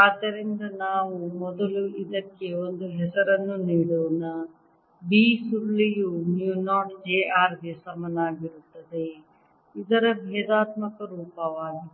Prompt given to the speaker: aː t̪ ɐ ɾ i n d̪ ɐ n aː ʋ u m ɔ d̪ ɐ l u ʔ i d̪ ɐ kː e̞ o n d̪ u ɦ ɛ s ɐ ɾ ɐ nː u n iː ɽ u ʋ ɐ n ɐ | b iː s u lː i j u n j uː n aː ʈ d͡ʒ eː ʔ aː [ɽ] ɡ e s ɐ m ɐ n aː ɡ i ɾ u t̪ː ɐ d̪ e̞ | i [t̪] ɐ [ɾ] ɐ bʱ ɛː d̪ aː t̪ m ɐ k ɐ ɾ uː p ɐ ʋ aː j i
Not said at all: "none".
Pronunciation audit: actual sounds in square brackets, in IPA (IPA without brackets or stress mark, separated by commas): ɾ, d̪, ɾ